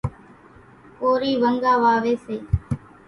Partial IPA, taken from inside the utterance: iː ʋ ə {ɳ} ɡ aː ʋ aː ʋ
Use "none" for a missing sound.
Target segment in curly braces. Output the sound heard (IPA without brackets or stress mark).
ŋ